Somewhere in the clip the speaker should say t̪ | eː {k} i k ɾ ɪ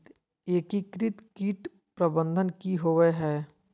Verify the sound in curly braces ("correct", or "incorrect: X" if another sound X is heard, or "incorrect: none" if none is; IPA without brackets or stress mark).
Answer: correct